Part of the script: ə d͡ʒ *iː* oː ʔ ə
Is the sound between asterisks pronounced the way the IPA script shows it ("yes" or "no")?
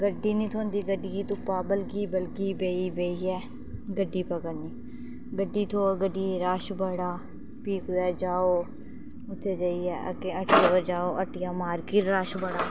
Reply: no